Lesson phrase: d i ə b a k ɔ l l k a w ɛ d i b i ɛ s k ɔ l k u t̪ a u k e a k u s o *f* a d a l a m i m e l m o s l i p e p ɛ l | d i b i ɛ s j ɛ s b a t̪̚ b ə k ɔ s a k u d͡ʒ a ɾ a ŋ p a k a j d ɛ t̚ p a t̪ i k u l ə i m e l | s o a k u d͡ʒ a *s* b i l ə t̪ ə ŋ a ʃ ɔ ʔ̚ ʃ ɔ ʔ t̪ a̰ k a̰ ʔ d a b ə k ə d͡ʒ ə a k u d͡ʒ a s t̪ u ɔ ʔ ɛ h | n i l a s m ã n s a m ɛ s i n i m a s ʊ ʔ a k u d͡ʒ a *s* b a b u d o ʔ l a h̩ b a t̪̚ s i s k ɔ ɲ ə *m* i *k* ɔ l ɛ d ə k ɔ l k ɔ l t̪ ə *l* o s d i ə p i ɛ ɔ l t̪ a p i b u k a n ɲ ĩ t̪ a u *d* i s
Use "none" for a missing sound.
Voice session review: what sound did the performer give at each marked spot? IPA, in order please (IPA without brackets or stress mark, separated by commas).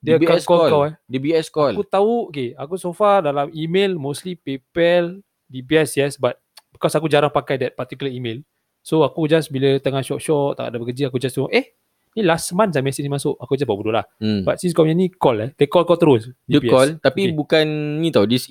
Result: f, s, s, n, k, ɾ, d